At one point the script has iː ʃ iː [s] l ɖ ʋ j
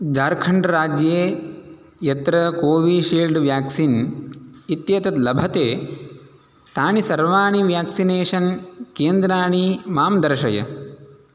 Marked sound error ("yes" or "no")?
yes